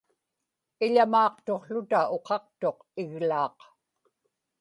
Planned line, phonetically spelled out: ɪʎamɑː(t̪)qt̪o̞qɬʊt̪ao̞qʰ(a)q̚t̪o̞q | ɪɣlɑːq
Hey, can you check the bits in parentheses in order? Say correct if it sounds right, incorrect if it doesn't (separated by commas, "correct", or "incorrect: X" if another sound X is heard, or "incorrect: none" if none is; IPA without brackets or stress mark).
incorrect: none, incorrect: ɑ